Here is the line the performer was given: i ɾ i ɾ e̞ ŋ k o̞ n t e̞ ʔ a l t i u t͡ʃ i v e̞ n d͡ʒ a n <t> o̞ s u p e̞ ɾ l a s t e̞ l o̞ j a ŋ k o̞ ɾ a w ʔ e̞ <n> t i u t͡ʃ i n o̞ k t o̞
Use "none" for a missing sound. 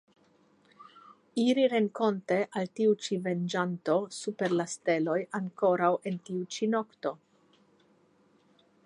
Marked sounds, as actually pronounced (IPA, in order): t, n

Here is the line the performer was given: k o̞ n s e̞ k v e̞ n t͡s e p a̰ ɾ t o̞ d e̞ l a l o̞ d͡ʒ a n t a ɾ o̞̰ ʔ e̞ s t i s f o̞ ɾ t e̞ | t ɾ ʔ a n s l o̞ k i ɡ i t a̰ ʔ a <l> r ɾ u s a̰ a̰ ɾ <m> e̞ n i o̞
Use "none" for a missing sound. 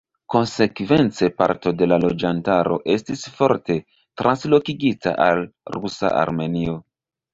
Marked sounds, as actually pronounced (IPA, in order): l, m

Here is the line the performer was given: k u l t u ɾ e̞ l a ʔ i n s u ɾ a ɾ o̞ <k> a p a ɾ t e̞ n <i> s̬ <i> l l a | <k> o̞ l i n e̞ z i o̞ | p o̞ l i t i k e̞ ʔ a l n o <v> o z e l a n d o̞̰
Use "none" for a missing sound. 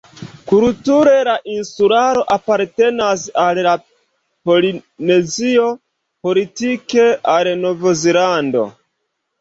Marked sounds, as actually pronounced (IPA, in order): ʔ, a, a, p, v

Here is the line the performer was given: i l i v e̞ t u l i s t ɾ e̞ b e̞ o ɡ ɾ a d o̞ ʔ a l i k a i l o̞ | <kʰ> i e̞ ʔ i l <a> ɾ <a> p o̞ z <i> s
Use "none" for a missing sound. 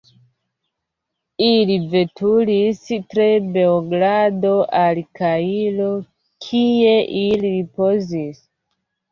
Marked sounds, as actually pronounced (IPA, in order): kʰ, i, i, i

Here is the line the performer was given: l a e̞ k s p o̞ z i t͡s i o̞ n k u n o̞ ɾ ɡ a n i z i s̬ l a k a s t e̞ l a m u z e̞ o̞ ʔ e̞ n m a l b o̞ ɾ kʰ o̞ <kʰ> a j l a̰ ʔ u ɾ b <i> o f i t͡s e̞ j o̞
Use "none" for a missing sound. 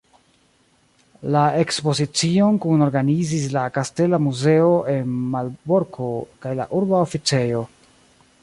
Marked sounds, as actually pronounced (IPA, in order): k, a

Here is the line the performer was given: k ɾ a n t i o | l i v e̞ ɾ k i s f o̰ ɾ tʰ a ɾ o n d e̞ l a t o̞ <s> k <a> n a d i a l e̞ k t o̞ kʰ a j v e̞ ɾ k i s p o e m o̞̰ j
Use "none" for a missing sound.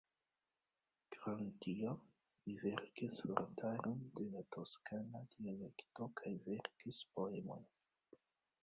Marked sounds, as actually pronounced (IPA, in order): s, a

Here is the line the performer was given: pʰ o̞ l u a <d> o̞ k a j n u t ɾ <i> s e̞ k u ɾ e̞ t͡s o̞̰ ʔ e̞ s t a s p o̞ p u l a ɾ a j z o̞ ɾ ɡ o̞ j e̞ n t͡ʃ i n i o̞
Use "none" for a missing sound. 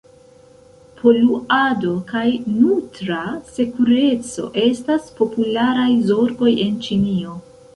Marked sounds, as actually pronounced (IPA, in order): d, a

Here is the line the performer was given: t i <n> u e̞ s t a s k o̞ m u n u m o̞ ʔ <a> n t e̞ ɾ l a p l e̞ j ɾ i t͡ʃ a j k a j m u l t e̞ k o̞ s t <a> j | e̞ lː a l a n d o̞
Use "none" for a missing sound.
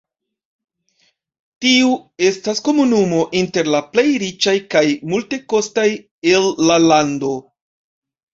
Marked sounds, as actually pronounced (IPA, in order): none, i, a

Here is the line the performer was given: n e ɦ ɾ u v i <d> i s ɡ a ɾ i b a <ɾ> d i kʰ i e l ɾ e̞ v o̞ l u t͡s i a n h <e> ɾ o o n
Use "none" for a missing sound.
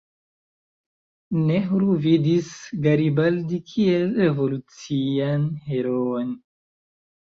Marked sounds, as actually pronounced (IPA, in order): d, l, e

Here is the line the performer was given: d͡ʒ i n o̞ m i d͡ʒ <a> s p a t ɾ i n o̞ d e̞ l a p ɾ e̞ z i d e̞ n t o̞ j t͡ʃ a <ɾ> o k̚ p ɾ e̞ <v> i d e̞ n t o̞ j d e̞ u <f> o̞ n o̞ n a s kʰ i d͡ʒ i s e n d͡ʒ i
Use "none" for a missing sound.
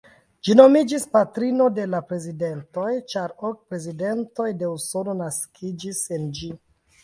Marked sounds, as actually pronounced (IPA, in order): i, ɾ, z, s

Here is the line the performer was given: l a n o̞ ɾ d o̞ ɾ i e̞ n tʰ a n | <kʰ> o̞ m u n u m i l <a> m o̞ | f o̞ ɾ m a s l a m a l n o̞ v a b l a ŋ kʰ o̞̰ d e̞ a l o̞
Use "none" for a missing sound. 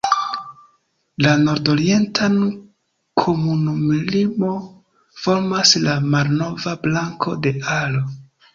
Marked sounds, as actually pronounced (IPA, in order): kʰ, i

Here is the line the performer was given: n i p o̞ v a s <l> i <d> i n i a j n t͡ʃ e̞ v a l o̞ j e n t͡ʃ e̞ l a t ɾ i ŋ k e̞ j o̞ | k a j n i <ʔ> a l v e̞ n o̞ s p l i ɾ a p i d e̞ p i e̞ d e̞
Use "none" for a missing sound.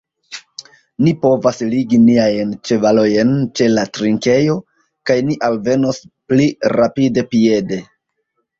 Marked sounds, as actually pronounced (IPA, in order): l, ɡ, ʔ

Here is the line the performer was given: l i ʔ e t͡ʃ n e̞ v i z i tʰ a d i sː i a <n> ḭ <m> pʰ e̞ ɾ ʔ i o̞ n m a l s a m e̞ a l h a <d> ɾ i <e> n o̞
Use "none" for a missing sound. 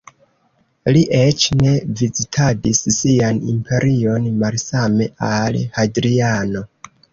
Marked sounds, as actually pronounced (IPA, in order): n, m, d, a

